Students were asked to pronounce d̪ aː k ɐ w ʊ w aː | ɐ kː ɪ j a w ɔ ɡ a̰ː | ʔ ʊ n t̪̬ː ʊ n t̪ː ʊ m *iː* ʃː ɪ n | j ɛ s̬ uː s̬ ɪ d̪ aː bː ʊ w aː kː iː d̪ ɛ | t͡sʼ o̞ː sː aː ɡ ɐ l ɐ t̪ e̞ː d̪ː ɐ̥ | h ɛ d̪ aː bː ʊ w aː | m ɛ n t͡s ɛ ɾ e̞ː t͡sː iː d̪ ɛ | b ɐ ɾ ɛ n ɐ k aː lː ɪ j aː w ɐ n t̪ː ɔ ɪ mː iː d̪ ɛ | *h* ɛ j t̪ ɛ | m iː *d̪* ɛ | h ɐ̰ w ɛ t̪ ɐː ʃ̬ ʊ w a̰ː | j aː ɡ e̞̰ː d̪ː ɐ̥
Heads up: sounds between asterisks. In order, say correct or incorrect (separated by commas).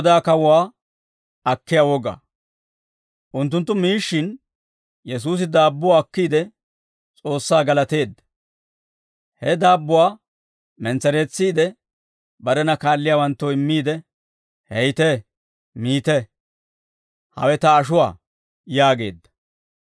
correct, correct, incorrect